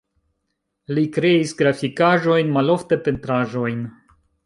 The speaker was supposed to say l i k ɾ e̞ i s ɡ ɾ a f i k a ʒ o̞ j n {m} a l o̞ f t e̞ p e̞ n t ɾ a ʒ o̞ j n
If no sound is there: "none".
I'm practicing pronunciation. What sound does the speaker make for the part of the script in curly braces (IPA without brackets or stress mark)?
m